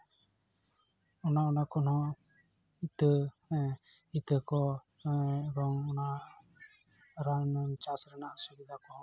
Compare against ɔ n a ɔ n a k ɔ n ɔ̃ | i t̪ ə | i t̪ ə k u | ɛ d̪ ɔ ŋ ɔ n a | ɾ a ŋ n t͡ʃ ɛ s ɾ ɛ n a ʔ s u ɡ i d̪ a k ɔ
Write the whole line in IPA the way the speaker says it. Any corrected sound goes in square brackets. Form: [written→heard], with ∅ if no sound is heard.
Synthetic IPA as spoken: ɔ n a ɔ n a k ɔ n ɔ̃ | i t̪ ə | i t̪ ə k [u→ɔ] | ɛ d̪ ɔ ŋ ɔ n a | ɾ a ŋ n t͡ʃ [ɛ→a] s ɾ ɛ n a ʔ s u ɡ i d̪ a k ɔ